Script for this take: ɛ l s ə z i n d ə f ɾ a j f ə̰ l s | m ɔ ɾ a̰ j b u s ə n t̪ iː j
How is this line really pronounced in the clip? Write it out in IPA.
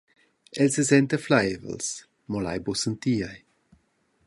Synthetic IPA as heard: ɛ l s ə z ɛ n t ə f l a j v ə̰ l s | m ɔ l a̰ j b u s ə n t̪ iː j